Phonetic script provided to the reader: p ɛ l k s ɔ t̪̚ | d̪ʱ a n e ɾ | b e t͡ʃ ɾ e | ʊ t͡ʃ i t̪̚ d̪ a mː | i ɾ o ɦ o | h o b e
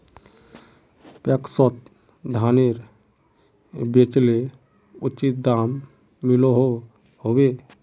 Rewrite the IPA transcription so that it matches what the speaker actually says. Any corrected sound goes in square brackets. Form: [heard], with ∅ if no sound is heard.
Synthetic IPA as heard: p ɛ [∅] k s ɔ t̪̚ | d̪ʱ a n e ɾ | b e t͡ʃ [l] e | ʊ t͡ʃ i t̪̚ d̪ a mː | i [l] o ɦ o | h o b e